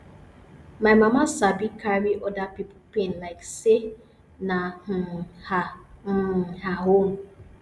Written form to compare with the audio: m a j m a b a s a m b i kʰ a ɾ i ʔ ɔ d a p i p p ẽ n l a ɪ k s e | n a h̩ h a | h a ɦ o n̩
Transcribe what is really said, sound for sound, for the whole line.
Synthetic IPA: m a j m a m a s a b i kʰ a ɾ i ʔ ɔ d a p i p p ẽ n l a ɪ k s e | n a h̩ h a | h a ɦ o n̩